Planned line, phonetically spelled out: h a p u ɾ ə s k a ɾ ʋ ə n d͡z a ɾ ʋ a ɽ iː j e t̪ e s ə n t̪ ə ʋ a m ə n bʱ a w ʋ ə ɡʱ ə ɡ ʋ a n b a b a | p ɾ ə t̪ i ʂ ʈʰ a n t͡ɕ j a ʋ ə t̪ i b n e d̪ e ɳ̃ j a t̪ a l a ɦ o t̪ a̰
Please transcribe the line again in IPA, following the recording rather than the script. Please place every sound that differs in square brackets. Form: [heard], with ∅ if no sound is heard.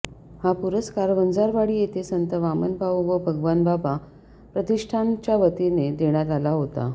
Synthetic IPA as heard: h a p u ɾ ə s k a ɾ ʋ ə n d͡z a ɾ ʋ a ɽ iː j e t̪ e s ə n t̪ ə ʋ a m ə n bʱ a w ʋ ə [bʱ] ə ɡ ʋ a n b a b a | p ɾ ə t̪ i ʂ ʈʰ a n t͡ɕ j a ʋ ə t̪ i [∅] n e d̪ e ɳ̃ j a t̪ a l a ɦ o t̪ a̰